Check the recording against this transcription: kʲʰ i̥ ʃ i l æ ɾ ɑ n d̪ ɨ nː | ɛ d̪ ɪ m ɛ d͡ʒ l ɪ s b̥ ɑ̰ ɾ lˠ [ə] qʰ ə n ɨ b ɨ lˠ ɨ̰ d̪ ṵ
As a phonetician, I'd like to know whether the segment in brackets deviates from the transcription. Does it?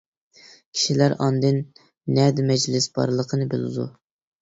no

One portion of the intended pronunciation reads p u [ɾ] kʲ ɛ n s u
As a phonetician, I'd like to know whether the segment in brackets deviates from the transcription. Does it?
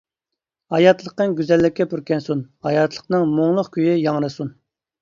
no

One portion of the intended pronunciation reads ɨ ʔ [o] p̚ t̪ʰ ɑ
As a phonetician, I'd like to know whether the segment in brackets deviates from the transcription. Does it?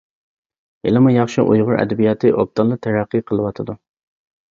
no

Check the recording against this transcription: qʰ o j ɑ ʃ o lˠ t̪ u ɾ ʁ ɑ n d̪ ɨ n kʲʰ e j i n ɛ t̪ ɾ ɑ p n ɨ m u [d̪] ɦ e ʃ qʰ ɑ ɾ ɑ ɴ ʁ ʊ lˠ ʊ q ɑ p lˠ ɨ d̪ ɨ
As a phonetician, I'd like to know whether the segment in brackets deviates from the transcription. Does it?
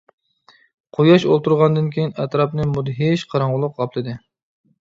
no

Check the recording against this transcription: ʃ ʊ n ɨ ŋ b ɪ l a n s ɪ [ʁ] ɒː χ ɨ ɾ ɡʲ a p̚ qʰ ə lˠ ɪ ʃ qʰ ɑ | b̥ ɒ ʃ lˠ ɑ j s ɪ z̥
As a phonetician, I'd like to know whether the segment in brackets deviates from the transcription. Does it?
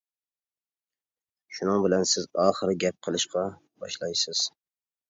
yes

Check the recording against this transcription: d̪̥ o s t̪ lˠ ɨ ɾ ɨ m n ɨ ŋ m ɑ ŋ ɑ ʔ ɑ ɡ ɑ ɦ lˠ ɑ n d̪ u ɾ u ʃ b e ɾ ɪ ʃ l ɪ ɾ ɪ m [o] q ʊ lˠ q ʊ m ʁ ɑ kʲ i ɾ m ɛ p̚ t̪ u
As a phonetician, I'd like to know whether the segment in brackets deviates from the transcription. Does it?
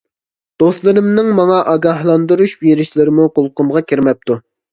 yes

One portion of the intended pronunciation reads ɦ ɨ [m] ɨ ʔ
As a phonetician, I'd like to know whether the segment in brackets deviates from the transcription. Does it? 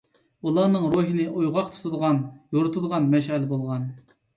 yes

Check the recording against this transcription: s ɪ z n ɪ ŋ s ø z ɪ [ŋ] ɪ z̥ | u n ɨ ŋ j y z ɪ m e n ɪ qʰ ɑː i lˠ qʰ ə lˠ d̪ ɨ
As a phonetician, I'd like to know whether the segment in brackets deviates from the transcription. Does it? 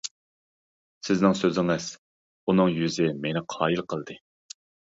no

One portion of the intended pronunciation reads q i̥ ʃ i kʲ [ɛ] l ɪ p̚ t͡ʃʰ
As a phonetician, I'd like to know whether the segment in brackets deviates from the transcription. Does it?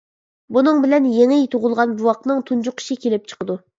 yes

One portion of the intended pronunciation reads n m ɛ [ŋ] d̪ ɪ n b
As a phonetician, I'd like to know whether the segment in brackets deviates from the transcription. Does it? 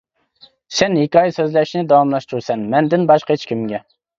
yes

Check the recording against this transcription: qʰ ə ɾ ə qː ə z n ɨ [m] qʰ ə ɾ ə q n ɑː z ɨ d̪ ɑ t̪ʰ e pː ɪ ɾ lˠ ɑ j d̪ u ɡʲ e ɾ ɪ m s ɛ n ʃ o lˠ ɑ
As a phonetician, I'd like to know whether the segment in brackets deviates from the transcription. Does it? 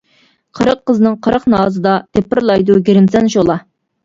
yes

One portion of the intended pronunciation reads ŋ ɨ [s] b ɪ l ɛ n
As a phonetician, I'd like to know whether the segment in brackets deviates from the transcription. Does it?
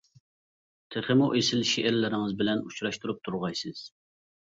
yes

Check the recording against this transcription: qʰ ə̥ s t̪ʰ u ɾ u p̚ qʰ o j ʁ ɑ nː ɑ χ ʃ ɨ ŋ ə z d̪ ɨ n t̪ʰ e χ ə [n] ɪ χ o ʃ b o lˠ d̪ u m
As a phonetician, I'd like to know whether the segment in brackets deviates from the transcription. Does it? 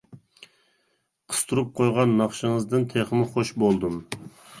yes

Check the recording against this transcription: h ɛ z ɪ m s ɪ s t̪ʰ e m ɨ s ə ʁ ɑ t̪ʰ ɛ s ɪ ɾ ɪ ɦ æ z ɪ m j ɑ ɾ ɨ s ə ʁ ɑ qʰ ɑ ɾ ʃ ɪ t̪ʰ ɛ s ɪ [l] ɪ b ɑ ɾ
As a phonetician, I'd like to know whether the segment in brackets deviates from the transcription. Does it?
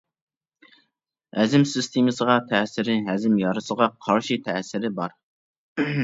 yes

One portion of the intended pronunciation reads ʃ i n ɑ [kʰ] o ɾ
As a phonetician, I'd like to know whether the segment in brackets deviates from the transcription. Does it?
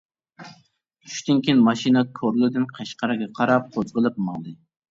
no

